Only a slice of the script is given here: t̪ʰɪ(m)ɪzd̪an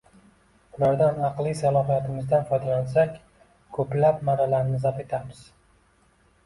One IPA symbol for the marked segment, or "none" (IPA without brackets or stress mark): m